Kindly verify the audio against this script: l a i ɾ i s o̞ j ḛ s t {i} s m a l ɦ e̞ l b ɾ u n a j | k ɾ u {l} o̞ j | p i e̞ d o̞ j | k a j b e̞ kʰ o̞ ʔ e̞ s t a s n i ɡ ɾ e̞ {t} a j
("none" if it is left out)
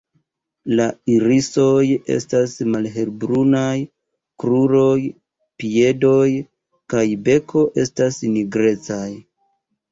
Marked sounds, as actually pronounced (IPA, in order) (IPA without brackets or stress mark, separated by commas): a, ɾ, t͡s